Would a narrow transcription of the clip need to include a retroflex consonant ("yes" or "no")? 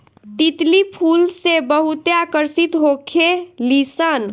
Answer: no